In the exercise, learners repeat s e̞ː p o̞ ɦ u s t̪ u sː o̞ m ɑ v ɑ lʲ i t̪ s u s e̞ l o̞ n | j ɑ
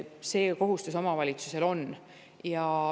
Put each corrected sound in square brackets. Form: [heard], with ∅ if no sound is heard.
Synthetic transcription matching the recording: s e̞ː [k] o̞ ɦ u s t̪ u [s] o̞ m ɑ v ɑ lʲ i t̪ s u s e̞ l o̞ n | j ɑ